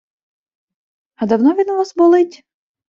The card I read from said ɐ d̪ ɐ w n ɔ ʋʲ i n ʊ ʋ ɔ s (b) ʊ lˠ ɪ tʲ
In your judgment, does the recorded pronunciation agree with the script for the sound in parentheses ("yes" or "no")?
yes